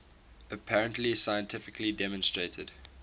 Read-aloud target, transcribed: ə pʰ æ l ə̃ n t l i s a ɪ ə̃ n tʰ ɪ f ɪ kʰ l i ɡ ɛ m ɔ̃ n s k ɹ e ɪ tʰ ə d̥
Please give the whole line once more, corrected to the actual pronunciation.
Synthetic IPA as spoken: ə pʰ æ ɹ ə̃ n t l i s a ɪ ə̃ n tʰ ɪ f ɪ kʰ l i d ɛ m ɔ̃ n s t ɹ e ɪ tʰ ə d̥